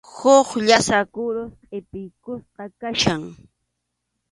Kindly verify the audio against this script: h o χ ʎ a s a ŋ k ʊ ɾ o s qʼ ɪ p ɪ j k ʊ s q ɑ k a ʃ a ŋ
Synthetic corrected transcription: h o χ ʎ a s a k ʊ ɾ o s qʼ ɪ p ɪ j k ʊ s q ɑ k a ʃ a ŋ